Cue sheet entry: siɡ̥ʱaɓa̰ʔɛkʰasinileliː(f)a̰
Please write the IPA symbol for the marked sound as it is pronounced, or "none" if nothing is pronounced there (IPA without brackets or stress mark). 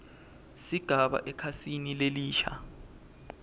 ʃ